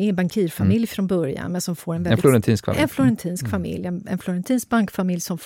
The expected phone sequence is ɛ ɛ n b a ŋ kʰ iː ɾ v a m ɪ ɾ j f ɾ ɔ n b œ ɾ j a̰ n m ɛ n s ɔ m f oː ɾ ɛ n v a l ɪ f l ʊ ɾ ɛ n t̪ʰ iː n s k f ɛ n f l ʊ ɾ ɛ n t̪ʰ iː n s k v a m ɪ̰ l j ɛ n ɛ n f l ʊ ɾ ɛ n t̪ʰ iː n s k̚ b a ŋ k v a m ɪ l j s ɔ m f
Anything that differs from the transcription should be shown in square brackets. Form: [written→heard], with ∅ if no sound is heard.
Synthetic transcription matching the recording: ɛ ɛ n b a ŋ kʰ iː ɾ [v→f] a m ɪ [ɾ→l] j f ɾ ɔ n b œ ɾ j a̰ n m ɛ n s ɔ m f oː ɾ ɛ n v [a→ɛ] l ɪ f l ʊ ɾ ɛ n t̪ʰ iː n s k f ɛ n f l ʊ ɾ ɛ n t̪ʰ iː n s k [v→f] a m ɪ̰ l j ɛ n ɛ n f l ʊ ɾ ɛ n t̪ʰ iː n s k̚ b a ŋ k [v→f] a m ɪ l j s ɔ m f